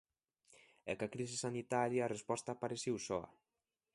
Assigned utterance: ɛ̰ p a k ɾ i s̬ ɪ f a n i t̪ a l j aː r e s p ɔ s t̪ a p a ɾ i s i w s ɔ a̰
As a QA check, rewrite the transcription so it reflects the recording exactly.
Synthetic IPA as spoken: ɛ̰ k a k ɾ i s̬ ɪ s a n i t̪ a ɾ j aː r e s p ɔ s t̪ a p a ɾ e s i w s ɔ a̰